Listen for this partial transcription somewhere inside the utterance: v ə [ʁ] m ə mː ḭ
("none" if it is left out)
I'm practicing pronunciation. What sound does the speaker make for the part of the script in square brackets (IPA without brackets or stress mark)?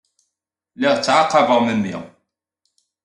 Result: ʁ